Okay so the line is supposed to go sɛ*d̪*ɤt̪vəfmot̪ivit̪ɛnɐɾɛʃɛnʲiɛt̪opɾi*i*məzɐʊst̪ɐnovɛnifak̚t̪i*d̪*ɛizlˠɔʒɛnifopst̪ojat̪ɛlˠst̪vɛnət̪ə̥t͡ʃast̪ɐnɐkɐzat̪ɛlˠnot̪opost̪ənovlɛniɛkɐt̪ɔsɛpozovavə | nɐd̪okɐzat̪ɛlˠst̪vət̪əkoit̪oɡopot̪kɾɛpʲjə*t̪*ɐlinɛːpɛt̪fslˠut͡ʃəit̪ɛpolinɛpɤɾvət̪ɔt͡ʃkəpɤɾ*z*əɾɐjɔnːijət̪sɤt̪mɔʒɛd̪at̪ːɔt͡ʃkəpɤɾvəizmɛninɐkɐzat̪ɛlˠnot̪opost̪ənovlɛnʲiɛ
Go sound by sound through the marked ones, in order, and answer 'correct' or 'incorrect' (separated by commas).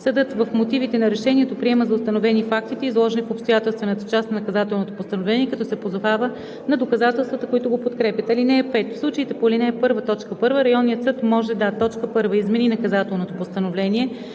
correct, incorrect, incorrect, correct, incorrect